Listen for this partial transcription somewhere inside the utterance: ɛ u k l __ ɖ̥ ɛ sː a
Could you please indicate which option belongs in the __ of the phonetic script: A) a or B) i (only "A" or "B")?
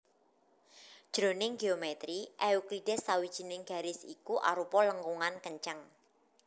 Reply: B